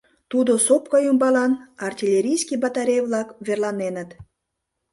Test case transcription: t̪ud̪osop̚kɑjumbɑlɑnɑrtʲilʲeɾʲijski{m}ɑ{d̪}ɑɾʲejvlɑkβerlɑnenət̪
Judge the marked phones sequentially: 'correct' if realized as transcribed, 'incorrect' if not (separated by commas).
incorrect, incorrect